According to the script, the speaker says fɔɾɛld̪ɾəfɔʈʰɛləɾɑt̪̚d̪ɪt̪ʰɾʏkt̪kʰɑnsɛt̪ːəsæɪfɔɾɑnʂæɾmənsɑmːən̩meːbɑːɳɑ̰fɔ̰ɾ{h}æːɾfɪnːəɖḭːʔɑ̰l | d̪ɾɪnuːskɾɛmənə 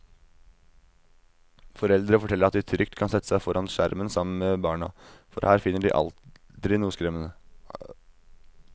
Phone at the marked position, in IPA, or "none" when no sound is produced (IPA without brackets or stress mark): h